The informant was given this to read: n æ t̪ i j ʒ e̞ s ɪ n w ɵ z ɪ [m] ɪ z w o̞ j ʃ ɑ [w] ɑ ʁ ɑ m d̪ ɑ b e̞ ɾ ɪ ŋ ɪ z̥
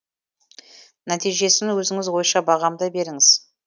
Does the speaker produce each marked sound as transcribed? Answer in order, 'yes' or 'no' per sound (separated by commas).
no, no